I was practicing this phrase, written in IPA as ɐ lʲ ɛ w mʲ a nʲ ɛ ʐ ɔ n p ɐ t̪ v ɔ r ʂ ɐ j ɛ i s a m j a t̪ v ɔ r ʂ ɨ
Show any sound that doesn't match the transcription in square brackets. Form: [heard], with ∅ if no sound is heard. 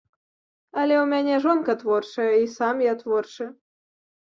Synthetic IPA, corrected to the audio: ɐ lʲ ɛ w mʲ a nʲ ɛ ʐ ɔ n [k] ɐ t̪ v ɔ r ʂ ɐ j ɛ i s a m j a t̪ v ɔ r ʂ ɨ